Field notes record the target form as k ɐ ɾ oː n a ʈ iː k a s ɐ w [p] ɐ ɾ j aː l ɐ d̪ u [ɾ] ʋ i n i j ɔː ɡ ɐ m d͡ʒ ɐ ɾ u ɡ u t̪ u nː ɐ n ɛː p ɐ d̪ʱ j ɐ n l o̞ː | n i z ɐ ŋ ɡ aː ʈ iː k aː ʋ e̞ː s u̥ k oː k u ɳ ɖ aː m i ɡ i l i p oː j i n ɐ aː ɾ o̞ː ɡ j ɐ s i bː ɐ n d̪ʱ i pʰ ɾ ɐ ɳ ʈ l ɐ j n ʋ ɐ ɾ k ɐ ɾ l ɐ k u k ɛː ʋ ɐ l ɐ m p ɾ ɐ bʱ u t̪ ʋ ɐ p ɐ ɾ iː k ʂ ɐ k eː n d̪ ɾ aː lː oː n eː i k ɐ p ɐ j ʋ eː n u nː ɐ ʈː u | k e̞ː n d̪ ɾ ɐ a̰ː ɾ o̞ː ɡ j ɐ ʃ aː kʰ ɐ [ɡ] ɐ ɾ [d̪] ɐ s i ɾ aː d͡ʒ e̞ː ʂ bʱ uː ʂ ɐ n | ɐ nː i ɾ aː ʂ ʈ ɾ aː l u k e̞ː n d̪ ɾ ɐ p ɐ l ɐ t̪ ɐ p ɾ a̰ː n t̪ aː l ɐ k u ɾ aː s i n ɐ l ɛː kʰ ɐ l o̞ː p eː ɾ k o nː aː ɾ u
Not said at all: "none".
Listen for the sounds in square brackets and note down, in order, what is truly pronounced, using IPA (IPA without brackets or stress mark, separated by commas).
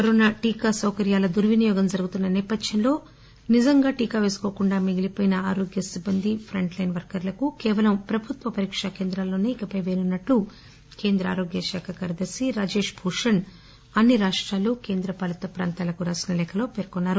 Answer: k, ɾ, k, d̪